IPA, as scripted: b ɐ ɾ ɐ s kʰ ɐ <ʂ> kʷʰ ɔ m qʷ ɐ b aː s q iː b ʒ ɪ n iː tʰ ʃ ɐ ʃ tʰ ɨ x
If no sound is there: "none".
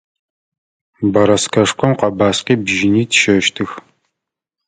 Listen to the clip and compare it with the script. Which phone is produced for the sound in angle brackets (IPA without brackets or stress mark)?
ʂ